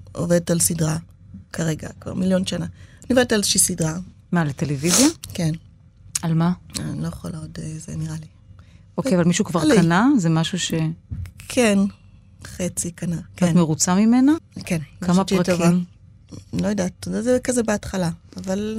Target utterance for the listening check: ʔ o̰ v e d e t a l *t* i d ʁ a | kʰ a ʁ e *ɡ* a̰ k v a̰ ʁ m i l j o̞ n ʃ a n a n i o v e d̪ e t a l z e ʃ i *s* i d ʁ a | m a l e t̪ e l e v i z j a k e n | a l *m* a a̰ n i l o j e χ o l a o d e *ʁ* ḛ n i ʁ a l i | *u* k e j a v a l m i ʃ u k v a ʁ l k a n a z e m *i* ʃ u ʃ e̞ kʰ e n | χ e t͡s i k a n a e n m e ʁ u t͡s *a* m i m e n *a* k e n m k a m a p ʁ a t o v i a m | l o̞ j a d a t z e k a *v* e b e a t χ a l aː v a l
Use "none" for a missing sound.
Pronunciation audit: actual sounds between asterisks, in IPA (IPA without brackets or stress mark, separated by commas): s, ɡ, s, m, z, o, a, a, a, z